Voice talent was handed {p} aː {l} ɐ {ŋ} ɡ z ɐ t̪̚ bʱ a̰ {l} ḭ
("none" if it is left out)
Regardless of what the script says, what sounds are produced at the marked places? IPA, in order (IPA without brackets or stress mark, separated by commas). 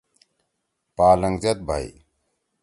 p, l, ŋ, none